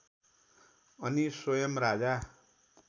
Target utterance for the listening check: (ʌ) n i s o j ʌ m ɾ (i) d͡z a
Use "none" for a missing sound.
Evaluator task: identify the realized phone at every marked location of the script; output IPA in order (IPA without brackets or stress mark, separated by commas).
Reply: ʌ, a